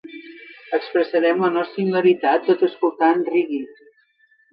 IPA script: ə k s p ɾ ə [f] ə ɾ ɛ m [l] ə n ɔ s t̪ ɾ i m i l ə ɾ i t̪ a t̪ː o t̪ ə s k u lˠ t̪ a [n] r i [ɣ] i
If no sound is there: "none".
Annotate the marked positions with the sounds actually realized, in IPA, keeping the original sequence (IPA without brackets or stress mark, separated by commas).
s, l, n, ɣ